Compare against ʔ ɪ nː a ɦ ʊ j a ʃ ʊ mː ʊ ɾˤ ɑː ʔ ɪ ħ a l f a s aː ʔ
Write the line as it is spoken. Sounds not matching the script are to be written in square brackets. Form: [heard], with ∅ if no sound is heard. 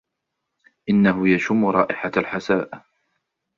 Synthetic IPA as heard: ʔ ɪ nː a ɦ ʊ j a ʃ ʊ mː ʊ ɾˤ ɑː ʔ ɪ ħ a l [ħ] a s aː ʔ